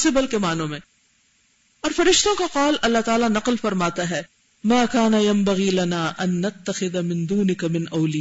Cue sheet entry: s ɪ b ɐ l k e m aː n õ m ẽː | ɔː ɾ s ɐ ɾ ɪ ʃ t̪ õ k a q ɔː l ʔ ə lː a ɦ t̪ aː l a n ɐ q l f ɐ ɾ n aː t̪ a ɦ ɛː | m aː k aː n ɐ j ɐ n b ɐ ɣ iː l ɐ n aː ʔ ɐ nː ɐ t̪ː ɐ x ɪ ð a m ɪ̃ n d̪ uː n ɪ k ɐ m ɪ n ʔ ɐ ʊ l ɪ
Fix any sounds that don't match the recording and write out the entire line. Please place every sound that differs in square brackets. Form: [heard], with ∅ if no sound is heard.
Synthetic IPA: s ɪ b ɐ l k e m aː n õ m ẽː | ɔː ɾ [f] ɐ ɾ ɪ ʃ t̪ õ k a q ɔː l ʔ [ɐ] lː a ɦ t̪ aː l a n ɐ q l f ɐ ɾ [m] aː t̪ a ɦ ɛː | m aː k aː n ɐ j ɐ [m] b ɐ ɣ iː l ɐ n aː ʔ ɐ nː ɐ t̪ː ɐ x ɪ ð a m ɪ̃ n d̪ uː n ɪ k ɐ m ɪ n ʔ ɐ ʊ l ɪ